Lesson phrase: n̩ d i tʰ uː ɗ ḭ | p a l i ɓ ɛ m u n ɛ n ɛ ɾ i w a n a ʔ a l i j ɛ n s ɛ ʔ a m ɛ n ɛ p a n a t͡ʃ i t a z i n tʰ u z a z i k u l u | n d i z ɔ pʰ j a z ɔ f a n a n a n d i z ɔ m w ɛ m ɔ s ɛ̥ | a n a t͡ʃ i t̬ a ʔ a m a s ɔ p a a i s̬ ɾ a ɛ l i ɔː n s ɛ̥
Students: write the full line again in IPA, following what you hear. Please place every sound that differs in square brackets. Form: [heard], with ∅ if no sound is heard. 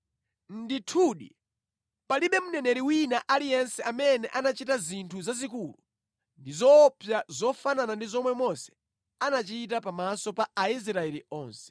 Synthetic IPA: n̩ d i tʰ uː ɗ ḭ | p a l i ɓ ɛ m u n ɛ n ɛ ɾ i w [i] n a ʔ a l i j ɛ n s ɛ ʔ a m ɛ n ɛ [ʔ] a n a t͡ʃ i t a z i n tʰ u z a z i k u l u | n d i z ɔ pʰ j a z ɔ f a n a n a n d i z ɔ m w ɛ m ɔ s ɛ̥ | a n a t͡ʃ i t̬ a [p] a m a s ɔ p a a i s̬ ɾ a ɛ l i ɔː n s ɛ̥

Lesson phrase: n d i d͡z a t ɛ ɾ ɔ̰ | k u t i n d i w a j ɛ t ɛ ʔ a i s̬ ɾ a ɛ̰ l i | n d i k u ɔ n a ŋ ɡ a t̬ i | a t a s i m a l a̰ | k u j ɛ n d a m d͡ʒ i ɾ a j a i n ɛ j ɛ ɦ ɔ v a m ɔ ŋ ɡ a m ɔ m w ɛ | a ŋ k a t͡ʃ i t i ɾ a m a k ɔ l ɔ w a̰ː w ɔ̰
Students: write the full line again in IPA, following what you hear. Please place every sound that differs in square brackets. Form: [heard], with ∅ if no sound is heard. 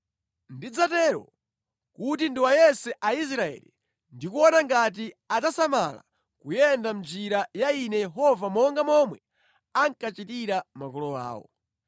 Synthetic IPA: n d i d͡z a t ɛ ɾ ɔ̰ | k u t i n d i w a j ɛ [s] ɛ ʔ a i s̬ ɾ a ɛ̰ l i | n d i k u ɔ n a ŋ ɡ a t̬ i | a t a s [a] m a l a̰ | k u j ɛ n d a m d͡ʒ i ɾ a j a i n ɛ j ɛ ɦ ɔ v a m ɔ ŋ ɡ a m ɔ m w ɛ | a ŋ k a t͡ʃ i t i ɾ a m a k ɔ l ɔ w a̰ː w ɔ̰

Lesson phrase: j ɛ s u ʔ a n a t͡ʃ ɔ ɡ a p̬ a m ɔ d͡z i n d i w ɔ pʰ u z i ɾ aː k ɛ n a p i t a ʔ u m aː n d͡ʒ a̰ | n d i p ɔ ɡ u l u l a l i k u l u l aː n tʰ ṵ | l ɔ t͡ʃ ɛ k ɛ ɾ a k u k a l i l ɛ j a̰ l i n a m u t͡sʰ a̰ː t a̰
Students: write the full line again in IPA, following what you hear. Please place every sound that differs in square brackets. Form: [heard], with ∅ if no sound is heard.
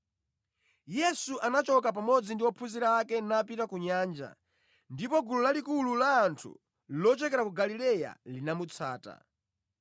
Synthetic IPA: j ɛ s u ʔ a n a t͡ʃ ɔ [k] a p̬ a m ɔ d͡z i n d i w ɔ pʰ u z i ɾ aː k ɛ n a p i t a [k] u [ɲ] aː n d͡ʒ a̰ | n d i p ɔ ɡ u l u l a l i k u l u l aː n tʰ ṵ | l ɔ t͡ʃ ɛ k ɛ ɾ a k u [ɡ] a l i l ɛ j a̰ l i n a m u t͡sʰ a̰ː t a̰

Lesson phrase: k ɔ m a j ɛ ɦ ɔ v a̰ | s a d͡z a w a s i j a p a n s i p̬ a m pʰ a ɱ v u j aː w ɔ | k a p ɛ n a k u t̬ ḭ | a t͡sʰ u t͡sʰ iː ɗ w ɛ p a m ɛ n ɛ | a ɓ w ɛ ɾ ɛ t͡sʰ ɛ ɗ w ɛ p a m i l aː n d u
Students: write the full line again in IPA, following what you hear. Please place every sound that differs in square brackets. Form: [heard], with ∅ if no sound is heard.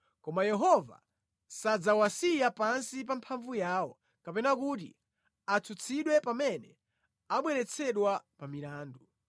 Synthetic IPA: k ɔ m a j ɛ ɦ ɔ v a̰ | s a d͡z a w a s i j a p a n s i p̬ a m pʰ a ɱ v u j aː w ɔ | k a p ɛ n a k u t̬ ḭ | a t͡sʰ u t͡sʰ [i] ɗ w ɛ p a m ɛ n ɛ | a ɓ w ɛ ɾ ɛ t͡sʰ ɛ ɗ w [a] p a m i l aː n d u

